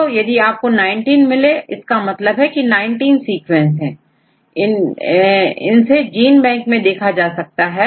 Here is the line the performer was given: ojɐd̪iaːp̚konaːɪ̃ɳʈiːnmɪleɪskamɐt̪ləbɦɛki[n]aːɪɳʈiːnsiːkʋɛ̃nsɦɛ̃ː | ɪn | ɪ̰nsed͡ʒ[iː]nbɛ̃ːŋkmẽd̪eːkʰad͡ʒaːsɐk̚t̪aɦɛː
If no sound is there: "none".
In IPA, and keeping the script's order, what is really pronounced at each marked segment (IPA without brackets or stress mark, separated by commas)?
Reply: n, iː